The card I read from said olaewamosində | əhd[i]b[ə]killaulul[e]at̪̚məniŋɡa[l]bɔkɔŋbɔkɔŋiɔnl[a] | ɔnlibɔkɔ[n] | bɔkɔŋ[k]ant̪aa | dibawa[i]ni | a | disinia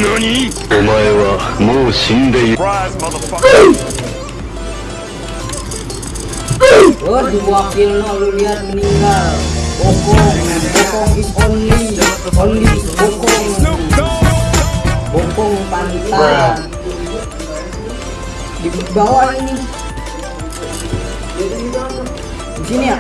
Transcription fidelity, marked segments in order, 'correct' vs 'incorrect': correct, incorrect: a, incorrect: i, correct, incorrect: i, incorrect: ŋ, incorrect: p, correct

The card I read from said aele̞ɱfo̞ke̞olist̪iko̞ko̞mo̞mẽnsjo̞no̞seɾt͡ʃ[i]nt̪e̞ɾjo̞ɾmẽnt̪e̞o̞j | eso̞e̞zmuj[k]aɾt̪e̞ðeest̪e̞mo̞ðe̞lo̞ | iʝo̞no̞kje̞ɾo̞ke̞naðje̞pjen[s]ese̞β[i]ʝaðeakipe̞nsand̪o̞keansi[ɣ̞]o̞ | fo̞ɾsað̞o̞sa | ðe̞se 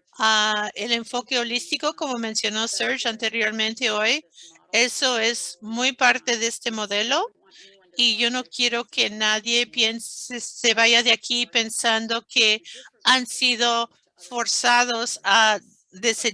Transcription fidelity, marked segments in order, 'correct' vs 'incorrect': incorrect: a, incorrect: p, correct, incorrect: a, incorrect: ð̞

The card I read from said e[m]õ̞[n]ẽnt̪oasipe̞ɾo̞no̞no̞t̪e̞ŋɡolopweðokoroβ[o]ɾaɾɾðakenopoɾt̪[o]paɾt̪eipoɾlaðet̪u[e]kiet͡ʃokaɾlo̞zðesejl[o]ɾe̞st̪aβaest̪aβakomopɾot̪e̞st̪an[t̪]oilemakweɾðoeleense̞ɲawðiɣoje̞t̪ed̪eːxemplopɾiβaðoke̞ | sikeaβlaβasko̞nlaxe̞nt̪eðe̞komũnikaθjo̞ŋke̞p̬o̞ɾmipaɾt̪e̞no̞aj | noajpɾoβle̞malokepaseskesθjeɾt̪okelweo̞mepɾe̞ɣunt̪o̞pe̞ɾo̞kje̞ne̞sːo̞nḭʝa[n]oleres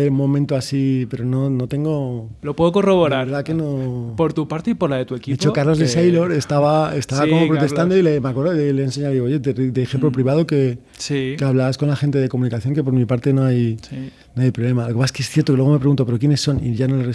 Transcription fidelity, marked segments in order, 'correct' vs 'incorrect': correct, incorrect: m, correct, incorrect: u, correct, correct, incorrect: d̪, correct

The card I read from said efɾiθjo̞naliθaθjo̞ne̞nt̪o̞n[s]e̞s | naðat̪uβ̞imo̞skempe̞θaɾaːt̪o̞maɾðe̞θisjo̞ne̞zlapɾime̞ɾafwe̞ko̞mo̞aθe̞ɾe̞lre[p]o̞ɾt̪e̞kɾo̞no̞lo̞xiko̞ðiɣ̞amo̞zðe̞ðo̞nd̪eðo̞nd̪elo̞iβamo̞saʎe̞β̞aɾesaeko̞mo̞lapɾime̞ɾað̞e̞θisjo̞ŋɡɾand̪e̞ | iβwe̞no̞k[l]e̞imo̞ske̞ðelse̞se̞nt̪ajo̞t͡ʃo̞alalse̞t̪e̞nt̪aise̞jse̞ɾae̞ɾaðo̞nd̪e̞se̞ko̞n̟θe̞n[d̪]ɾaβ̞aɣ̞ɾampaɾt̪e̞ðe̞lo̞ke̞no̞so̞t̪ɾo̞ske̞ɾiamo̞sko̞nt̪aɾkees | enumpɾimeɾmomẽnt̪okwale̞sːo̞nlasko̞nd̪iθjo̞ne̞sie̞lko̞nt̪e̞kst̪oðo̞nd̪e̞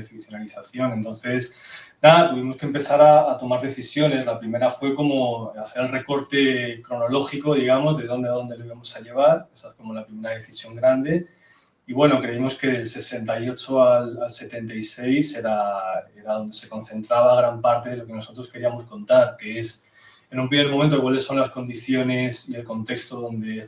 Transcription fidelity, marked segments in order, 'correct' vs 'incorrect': incorrect: θ, incorrect: k, incorrect: ɾ, incorrect: t̪

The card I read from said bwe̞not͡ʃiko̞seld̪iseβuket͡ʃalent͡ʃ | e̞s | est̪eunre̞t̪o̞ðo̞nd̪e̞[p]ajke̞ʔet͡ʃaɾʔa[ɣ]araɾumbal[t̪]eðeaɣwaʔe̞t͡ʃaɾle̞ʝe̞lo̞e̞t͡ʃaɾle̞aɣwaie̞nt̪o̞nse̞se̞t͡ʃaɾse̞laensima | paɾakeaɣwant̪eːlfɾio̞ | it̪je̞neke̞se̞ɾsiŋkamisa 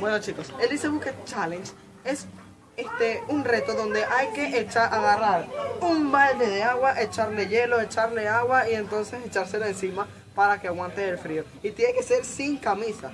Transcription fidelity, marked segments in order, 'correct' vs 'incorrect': incorrect: ʔ, correct, incorrect: d̪

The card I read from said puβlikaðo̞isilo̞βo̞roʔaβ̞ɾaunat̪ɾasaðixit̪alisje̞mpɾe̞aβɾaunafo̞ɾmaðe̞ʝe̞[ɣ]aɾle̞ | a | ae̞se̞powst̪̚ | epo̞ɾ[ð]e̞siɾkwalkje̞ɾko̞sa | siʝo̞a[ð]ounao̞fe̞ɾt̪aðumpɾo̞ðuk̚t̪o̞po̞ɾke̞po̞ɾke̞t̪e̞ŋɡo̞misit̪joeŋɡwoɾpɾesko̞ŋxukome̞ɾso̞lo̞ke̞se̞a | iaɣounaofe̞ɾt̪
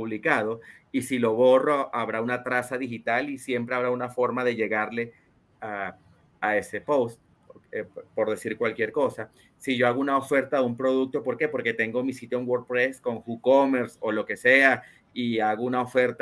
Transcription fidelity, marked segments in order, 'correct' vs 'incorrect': correct, correct, incorrect: ɣ

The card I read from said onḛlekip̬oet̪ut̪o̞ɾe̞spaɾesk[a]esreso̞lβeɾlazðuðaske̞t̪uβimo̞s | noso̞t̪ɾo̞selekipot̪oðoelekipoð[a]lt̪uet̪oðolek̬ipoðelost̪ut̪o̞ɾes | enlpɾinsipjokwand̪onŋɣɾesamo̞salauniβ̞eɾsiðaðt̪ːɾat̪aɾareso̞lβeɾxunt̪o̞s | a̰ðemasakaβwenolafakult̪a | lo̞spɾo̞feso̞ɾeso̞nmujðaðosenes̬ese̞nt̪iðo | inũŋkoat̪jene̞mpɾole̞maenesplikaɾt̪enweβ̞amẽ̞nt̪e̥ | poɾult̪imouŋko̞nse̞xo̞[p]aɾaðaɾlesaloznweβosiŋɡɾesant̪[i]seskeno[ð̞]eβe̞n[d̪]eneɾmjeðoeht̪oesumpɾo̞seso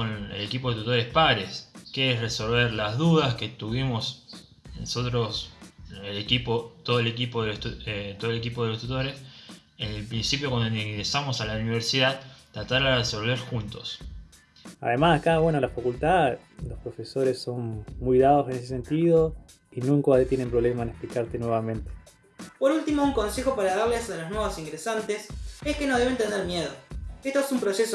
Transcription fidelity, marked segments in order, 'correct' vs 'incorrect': incorrect: e, incorrect: e, correct, incorrect: e, correct, incorrect: t̪

